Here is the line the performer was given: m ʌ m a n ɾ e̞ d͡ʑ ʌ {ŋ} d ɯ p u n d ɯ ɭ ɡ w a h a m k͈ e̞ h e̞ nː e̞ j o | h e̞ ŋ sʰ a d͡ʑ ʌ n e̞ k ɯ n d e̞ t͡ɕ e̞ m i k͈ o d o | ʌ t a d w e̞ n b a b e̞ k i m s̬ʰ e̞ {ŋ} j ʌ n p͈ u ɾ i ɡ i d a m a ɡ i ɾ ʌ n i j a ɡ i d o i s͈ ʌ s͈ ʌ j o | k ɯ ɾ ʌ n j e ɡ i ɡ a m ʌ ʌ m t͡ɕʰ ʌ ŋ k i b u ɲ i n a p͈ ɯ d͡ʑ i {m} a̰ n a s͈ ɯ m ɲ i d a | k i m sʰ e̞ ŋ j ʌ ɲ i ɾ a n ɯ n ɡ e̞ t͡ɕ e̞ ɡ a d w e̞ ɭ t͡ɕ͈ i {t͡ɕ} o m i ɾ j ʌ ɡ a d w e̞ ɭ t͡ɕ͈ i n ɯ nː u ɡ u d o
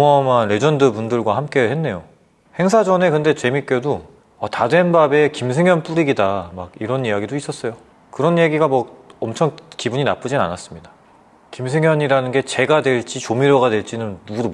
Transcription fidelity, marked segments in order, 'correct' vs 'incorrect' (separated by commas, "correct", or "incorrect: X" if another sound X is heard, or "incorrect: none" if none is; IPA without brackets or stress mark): incorrect: n, correct, incorrect: n, correct